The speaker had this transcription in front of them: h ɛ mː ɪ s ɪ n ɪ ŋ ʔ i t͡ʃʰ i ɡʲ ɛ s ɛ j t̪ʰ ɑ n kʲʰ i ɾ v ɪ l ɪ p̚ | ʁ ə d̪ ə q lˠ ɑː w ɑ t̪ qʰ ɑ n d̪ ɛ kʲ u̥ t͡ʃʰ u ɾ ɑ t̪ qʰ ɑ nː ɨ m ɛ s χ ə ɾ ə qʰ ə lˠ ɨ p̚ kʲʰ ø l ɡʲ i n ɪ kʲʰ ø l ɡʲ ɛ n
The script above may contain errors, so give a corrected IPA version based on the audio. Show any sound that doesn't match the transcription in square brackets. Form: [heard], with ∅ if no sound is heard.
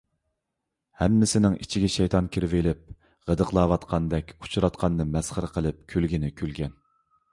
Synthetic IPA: h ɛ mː ɪ s ɪ n ɪ ŋ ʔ i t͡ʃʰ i ɡʲ ɛ [ʃ] ɛ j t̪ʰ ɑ n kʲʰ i ɾ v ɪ l ɪ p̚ | ʁ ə d̪ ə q lˠ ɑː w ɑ t̪ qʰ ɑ n d̪ ɛ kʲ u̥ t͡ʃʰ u ɾ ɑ t̪ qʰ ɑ nː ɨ m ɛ s χ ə ɾ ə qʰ ə lˠ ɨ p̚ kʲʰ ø l ɡʲ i n ɪ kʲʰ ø l ɡʲ ɛ n